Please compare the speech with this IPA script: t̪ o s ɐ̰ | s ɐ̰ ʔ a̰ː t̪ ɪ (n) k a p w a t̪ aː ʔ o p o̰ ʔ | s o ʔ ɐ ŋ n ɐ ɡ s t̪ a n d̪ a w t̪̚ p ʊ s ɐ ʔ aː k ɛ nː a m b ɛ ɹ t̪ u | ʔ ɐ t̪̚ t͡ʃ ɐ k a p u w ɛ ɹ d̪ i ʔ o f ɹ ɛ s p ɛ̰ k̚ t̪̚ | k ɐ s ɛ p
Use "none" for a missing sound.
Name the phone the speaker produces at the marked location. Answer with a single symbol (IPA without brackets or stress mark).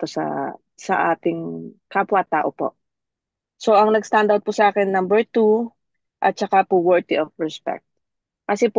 ŋ